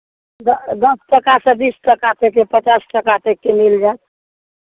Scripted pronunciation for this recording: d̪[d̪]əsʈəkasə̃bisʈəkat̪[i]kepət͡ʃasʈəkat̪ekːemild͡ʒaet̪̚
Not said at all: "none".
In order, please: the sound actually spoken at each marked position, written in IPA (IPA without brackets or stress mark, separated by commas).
d̪, e